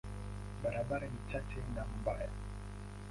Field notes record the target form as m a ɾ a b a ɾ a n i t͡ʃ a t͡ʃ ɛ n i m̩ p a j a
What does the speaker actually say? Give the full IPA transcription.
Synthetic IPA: b a ɾ a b a ɾ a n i t͡ʃ a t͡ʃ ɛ n a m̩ b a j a

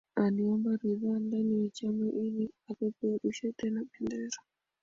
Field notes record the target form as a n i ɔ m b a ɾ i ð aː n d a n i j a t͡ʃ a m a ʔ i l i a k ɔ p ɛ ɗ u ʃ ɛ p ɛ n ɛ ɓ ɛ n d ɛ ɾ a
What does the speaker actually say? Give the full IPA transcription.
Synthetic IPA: a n i ɔ m b a ɾ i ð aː n d a n i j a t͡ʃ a m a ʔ i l i a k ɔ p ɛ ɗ u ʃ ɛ t ɛ n a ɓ ɛ n d ɛ ɾ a

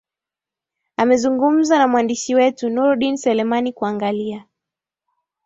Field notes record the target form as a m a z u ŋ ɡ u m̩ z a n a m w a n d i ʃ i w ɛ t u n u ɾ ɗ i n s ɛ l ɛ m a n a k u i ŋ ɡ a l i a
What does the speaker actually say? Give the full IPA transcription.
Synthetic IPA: a m ɛ z u ŋ ɡ u m̩ z a n a m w a n d i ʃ i w ɛ t u n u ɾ ɗ i n s ɛ l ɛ m a n i k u a ŋ ɡ a l i a

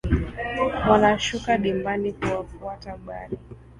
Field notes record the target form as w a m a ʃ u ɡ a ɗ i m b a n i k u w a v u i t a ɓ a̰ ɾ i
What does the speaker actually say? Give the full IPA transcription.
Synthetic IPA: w a n a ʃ u k a ɗ i m b a n i k u w a f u a t a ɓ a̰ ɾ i

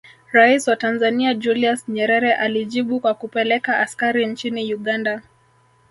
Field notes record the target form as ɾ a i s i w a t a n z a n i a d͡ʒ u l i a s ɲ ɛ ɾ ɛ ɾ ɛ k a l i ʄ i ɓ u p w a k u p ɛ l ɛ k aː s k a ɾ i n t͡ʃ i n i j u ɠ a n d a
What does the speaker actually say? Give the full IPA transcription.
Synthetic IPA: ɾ a i s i w a t a n z a n i a d͡ʒ u l i a s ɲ ɛ ɾ ɛ ɾ ɛ ʔ a l i ʄ i ɓ u k w a k u p ɛ l ɛ k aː s k a ɾ i n t͡ʃ i n i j u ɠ a n d a

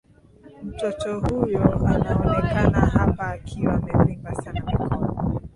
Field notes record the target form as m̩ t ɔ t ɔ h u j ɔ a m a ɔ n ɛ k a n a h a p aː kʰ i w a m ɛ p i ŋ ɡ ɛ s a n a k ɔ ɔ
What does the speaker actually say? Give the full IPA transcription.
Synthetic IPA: m̩ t ɔ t ɔ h u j ɔ a n a ɔ n ɛ k a n a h a p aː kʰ i w a m ɛ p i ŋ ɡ a s a n a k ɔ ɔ

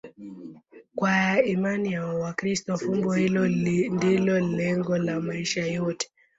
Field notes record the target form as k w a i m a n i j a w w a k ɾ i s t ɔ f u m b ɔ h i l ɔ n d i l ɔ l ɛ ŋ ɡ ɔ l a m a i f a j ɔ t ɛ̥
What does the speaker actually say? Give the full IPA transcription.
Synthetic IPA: k w a i m a n i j a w w a k ɾ i s t ɔ f u m b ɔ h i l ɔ n d i l ɔ l ɛ ŋ ɡ ɔ l a m a i ʃ a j ɔ t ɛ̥

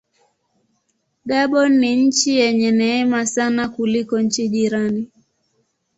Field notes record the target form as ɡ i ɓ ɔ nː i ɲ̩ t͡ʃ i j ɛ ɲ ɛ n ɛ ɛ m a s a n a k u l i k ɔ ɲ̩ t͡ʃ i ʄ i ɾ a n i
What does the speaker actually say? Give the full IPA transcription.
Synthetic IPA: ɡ a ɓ ɔ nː i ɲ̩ t͡ʃ i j ɛ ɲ ɛ n ɛ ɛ m a s a n a k u l i k ɔ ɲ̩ t͡ʃ i ʄ i ɾ a n i

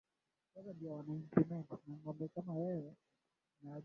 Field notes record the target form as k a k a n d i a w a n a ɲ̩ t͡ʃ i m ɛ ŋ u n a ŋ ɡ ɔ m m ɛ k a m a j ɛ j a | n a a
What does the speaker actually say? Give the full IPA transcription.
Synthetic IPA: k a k a n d i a w a n a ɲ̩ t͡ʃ i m ɛ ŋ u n a ŋ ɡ ɔ m b ɛ k a m a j ɛ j ɛ | n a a

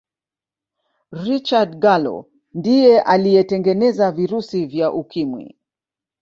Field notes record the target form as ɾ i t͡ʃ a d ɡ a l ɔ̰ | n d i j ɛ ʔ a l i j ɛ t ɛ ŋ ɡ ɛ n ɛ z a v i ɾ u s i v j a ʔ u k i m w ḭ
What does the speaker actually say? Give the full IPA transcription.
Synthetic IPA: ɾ i t͡ʃ a d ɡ a l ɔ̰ | n d i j ɛ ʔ a l i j ɛ t ɛ ŋ ɡ ɛ n ɛ z a v i ɾ u s i v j a ʔ u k i m w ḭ

